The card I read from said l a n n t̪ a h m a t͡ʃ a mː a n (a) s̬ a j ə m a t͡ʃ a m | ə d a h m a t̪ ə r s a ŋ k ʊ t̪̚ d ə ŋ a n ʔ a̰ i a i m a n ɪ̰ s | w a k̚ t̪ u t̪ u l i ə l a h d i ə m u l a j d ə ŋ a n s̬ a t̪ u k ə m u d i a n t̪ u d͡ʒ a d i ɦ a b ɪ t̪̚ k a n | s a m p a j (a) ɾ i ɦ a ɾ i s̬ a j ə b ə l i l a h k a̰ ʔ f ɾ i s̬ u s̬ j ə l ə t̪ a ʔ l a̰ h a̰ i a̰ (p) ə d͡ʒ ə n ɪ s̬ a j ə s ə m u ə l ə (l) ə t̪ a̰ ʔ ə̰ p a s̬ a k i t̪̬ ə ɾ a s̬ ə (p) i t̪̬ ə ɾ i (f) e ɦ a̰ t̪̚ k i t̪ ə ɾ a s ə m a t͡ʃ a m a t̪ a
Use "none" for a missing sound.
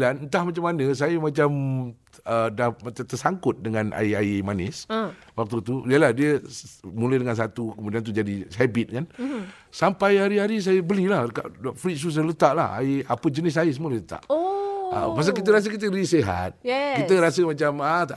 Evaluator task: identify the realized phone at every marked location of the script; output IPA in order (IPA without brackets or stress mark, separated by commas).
ə, a, p, l, k, s